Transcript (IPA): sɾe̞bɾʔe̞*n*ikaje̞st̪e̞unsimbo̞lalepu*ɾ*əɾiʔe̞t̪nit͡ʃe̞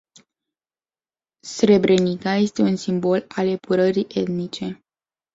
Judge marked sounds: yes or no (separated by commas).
yes, yes